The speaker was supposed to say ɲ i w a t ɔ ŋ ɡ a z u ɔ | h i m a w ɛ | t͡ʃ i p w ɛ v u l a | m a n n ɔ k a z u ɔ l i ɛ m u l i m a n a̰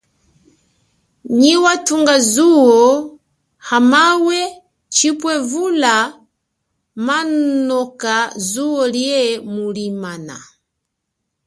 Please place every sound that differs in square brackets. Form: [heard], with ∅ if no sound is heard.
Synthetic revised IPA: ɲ i w a t [u] ŋ ɡ a z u ɔ | h [a] m a w ɛ | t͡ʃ i p w ɛ v u l a | m a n n ɔ k a z u ɔ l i ɛ m u l i m a n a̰